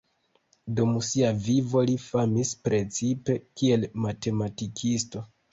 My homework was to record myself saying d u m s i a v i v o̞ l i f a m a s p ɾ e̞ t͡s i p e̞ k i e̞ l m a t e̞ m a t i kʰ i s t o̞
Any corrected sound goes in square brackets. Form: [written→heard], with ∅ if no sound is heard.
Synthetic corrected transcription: d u m s i a v i v o̞ l i f a m [a→i] s p ɾ e̞ t͡s i p e̞ k i e̞ l m a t e̞ m a t i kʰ i s t o̞